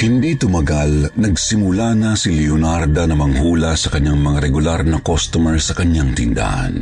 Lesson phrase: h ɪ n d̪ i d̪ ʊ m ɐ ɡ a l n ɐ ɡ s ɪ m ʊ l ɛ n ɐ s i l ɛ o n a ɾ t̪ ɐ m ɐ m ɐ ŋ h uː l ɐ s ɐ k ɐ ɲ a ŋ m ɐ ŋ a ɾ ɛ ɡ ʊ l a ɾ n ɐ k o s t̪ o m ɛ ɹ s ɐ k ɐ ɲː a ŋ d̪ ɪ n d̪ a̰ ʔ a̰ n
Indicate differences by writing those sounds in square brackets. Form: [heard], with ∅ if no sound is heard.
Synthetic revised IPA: h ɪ n d̪ i [t̪] ʊ m ɐ ɡ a l n ɐ ɡ s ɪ m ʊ l [a] n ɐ s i l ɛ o n a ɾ [d̪] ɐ [n] ɐ m ɐ ŋ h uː l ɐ s ɐ k ɐ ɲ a ŋ m ɐ ŋ a ɾ ɛ ɡ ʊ l a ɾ n ɐ k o s t̪ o m ɛ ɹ s ɐ k ɐ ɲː a ŋ [t̪] ɪ n d̪ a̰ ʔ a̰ n